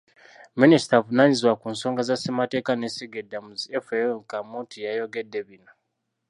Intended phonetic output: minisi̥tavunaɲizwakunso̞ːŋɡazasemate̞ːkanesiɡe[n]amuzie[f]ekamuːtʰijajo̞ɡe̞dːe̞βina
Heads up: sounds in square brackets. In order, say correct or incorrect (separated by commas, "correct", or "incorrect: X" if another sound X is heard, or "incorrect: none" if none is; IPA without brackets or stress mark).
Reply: incorrect: d, correct